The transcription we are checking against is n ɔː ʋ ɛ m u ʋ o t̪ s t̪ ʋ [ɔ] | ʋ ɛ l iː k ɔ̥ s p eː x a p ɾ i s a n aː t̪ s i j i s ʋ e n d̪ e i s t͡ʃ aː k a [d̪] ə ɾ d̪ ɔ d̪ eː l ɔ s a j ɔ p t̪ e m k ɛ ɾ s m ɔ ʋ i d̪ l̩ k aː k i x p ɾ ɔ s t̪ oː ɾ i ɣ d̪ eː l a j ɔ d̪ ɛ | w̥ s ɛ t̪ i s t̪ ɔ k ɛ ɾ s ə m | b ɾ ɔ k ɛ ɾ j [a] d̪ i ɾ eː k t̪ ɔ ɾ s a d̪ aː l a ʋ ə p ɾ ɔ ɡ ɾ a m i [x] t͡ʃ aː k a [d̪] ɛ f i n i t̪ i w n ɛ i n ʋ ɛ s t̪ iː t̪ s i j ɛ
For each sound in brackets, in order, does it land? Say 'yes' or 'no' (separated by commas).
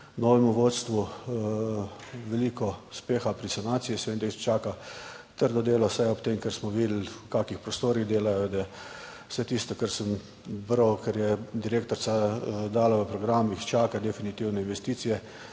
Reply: no, no, no, yes, yes